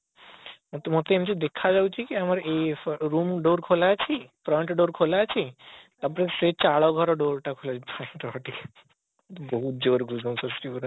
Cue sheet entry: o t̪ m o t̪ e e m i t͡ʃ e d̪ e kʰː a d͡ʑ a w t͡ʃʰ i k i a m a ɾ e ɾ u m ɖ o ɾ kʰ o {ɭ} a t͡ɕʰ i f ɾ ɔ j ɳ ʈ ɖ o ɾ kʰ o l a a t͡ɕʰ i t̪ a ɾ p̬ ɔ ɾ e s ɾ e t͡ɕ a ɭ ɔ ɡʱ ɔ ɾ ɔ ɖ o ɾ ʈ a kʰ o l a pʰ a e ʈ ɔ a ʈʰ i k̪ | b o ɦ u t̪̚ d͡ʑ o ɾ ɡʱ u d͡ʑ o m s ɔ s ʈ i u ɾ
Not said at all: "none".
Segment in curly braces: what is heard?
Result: l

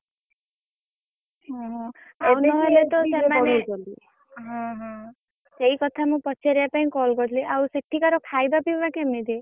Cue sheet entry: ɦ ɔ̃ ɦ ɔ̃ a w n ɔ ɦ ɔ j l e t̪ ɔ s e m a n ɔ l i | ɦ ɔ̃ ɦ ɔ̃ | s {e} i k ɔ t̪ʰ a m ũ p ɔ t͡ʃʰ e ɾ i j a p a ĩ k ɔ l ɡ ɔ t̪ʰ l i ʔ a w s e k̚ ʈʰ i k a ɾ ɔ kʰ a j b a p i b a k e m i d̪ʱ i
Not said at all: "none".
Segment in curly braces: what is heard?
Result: e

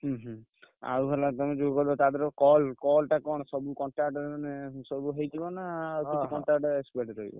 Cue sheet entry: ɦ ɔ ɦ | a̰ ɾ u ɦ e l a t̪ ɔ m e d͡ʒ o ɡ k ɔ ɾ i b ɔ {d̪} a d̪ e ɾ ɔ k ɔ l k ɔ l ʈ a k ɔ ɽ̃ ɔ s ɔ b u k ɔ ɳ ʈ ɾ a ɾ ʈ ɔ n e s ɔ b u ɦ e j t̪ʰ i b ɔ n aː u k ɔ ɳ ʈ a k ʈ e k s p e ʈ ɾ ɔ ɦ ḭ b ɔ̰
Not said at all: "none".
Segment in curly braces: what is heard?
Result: t̪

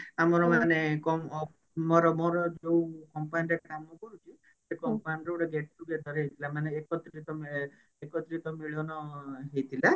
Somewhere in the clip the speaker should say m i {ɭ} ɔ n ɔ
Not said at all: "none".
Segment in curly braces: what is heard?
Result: ɭ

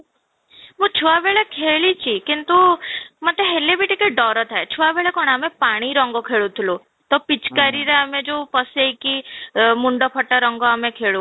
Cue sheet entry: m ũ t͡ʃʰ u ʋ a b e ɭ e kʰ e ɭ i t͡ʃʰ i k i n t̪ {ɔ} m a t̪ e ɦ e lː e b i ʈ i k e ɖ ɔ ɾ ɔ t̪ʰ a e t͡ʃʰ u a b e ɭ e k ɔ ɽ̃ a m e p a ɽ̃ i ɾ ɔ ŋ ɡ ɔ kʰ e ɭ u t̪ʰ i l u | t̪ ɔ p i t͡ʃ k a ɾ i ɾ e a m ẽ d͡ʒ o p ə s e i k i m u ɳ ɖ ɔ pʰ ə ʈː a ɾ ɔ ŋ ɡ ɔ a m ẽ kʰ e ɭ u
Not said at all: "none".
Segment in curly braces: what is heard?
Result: u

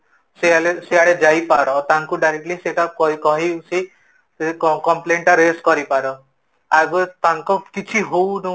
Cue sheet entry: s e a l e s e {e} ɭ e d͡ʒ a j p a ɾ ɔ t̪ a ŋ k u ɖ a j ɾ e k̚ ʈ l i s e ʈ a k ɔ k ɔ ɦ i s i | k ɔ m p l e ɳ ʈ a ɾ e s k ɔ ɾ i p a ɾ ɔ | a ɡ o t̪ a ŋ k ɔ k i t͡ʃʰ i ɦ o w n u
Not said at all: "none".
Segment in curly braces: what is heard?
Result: a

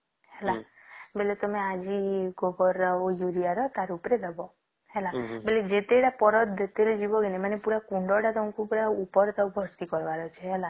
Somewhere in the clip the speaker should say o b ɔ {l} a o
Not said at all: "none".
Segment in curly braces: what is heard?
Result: ɾ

